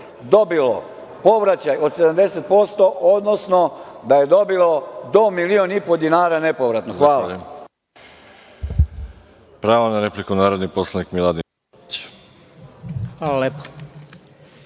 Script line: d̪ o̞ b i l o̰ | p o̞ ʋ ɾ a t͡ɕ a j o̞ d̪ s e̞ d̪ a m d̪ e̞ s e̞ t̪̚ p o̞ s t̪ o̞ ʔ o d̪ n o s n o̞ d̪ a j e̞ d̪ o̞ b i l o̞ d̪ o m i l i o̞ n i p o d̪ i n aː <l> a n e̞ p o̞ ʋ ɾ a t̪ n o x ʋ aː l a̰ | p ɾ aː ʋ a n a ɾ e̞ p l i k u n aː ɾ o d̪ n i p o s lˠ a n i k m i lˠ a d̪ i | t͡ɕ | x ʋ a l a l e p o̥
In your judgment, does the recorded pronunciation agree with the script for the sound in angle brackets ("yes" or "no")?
no